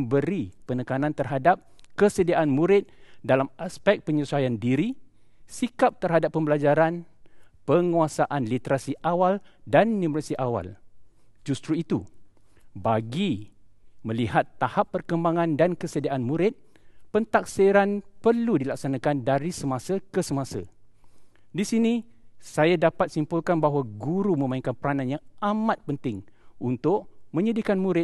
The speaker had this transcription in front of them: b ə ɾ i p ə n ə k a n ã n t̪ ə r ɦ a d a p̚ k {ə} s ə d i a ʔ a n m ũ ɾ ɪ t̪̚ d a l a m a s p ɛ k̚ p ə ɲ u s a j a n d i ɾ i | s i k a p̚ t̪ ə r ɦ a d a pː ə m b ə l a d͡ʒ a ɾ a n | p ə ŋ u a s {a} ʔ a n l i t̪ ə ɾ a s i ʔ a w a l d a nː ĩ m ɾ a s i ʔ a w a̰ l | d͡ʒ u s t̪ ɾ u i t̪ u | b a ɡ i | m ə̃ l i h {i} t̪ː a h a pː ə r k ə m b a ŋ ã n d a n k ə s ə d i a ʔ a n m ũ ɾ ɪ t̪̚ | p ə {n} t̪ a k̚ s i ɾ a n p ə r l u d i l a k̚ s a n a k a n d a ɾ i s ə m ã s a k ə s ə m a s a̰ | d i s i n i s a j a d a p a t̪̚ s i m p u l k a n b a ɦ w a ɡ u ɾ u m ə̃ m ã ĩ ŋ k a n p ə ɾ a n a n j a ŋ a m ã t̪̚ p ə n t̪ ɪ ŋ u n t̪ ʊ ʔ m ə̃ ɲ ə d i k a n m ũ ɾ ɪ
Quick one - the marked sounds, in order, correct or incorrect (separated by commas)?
correct, correct, incorrect, correct